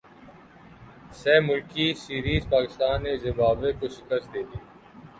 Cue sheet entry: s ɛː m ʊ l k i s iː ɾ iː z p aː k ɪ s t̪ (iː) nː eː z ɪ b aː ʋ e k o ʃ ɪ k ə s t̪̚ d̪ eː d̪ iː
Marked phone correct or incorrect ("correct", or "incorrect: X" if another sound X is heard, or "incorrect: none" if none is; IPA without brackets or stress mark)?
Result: incorrect: aː